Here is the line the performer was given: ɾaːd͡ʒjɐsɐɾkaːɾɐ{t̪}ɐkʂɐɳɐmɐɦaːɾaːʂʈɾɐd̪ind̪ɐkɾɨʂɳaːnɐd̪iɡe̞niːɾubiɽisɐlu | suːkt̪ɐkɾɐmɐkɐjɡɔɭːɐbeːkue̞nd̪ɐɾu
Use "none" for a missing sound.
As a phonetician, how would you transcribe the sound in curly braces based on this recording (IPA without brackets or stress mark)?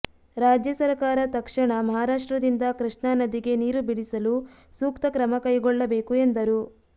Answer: t̪